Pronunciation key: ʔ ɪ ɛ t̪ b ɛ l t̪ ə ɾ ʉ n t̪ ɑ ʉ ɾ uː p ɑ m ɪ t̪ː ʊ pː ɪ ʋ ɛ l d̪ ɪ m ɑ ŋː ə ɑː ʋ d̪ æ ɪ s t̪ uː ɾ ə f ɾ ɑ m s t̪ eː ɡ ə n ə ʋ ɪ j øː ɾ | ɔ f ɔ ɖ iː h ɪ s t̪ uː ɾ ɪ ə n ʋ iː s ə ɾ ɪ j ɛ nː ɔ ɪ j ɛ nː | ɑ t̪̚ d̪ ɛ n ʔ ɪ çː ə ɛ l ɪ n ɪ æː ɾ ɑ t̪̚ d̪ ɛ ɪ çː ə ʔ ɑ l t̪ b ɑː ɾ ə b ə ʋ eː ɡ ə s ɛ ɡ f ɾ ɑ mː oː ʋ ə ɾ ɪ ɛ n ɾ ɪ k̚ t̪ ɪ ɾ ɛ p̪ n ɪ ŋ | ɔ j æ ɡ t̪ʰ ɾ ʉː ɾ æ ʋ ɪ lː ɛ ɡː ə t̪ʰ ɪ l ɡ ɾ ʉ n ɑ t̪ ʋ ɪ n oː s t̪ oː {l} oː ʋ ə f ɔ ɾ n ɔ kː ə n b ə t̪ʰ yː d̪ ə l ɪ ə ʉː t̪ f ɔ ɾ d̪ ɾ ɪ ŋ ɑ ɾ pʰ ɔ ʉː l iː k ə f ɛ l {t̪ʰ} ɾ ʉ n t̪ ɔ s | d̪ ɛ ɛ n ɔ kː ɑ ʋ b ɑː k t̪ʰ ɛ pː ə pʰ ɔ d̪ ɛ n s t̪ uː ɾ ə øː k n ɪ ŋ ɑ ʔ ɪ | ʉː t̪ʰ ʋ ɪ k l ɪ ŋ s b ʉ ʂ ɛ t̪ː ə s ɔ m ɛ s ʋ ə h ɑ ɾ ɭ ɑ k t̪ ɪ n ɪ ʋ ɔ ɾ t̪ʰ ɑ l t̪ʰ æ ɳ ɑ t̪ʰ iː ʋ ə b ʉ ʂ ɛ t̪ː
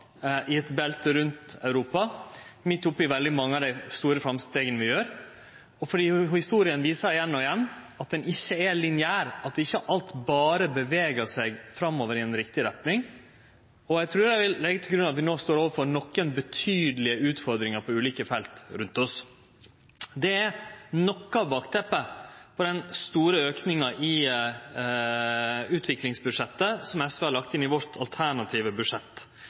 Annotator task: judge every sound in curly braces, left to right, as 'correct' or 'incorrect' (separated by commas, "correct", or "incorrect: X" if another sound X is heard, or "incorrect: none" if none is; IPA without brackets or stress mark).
incorrect: ɾ, incorrect: t̪